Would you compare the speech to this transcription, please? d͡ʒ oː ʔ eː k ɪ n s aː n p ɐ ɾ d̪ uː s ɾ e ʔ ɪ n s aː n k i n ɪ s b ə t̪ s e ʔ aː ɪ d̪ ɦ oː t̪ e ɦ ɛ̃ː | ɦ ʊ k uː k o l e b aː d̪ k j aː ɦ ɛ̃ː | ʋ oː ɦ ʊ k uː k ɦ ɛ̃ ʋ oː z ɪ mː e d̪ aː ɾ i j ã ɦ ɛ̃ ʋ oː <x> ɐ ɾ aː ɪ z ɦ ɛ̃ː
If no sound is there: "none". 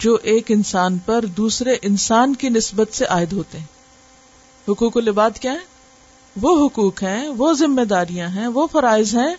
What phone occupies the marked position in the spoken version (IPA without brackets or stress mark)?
f